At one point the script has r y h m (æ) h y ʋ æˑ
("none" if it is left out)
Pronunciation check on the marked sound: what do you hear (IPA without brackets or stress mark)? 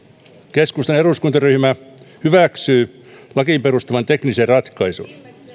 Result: æ